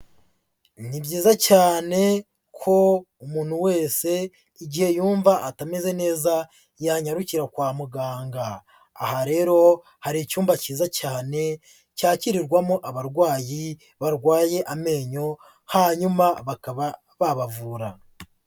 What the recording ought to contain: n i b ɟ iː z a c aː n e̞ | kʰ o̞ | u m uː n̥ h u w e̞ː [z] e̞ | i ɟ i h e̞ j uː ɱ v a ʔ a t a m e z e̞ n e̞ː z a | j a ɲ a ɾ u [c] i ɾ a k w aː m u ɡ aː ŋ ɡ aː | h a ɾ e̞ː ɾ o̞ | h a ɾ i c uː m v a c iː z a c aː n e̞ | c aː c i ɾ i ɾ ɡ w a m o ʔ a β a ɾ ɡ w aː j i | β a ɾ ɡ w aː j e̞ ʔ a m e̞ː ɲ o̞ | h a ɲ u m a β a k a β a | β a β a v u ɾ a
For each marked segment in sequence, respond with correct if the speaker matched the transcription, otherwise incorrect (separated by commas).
incorrect, correct